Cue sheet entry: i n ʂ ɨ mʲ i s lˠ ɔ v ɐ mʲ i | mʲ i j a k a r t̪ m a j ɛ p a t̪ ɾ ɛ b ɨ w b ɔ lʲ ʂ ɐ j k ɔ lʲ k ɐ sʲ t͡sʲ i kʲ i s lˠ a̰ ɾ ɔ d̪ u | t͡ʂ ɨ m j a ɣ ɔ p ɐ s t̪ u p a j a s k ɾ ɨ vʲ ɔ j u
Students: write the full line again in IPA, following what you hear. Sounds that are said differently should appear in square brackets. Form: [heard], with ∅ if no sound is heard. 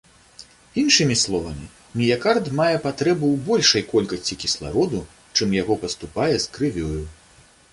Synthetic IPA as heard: i n ʂ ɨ mʲ i s lˠ ɔ v ɐ mʲ i | mʲ i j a k a r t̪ m a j ɛ p a t̪ ɾ ɛ b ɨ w b ɔ lʲ ʂ ɐ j k ɔ lʲ k ɐ sʲ t͡sʲ i kʲ i s lˠ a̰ ɾ ɔ d̪ u | t͡ʂ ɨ m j a ɣ ɔ p ɐ s t̪ u p a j [ɛ] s k ɾ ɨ vʲ ɔ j u